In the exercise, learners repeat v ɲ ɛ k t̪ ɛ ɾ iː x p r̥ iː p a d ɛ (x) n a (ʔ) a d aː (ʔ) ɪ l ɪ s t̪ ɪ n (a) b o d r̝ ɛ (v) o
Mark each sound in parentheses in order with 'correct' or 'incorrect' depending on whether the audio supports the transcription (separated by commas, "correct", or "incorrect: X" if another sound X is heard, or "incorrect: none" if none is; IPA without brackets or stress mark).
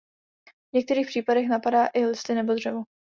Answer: correct, incorrect: p, correct, incorrect: ɛ, correct